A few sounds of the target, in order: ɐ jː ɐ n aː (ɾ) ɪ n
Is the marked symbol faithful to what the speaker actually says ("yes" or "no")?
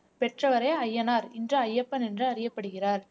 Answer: yes